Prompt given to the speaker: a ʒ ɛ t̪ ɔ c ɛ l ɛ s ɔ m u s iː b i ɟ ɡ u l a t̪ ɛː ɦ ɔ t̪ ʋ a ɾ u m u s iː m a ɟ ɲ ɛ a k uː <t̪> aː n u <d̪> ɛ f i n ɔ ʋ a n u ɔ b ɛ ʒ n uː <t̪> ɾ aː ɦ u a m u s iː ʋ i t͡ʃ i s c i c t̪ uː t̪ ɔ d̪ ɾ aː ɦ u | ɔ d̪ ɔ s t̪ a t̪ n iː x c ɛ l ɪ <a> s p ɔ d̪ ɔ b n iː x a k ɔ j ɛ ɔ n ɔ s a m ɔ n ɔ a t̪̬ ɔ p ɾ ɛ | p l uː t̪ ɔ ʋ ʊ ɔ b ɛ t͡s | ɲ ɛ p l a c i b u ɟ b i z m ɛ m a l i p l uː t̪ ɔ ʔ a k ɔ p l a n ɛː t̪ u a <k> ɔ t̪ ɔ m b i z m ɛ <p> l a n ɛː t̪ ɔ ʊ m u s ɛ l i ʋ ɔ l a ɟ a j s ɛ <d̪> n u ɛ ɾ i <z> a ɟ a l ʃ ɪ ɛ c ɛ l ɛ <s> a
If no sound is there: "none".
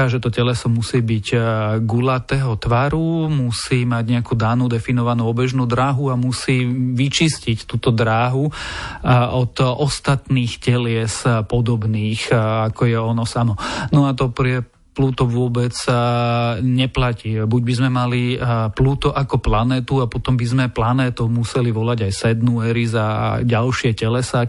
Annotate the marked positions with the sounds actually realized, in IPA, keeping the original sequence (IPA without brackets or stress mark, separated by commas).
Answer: d̪, d̪, d̪, ɛ, p, p, d̪, z, s